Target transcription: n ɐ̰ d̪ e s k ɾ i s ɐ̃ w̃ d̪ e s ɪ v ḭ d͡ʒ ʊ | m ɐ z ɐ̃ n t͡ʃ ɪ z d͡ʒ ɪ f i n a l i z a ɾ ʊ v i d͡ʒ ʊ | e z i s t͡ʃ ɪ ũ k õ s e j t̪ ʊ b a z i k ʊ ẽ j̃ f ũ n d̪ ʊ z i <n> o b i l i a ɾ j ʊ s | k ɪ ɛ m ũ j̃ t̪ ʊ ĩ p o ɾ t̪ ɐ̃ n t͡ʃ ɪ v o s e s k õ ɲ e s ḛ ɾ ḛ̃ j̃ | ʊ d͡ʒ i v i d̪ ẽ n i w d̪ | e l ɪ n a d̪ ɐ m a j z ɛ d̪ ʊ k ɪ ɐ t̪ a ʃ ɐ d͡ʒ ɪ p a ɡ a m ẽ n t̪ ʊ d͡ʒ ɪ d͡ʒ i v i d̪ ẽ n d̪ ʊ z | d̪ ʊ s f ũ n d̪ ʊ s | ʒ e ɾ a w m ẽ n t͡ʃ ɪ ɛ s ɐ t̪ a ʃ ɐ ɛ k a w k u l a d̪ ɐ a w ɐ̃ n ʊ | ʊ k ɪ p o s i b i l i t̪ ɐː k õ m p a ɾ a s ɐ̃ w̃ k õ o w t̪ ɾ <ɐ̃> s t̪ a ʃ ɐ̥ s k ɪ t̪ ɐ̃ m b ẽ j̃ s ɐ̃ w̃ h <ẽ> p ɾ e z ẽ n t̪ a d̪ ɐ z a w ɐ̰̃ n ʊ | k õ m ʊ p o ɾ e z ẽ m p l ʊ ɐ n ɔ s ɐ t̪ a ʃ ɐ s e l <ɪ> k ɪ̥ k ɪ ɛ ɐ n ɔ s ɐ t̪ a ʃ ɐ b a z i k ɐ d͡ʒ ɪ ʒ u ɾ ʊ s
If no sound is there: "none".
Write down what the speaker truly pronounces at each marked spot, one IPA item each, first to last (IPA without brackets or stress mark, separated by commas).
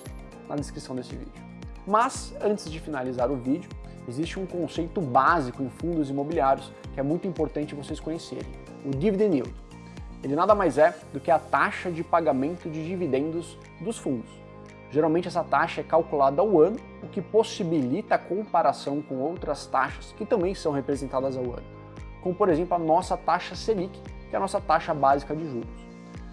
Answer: m, ɐ, e, i